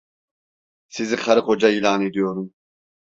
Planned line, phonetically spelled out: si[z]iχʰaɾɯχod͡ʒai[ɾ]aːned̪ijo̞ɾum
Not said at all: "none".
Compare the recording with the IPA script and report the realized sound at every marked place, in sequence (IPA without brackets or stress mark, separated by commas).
z, l